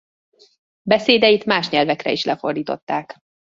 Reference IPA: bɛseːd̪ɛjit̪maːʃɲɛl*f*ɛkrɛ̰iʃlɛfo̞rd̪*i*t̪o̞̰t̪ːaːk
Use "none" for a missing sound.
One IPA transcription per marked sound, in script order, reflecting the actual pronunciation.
v, iː

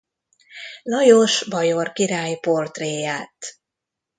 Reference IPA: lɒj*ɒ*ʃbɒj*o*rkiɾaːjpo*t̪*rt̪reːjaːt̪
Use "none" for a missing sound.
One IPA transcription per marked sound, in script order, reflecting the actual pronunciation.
o, o, none

